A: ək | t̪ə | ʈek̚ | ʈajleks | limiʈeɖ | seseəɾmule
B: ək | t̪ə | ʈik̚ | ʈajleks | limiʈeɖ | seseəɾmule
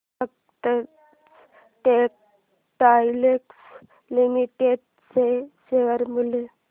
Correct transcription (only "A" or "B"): A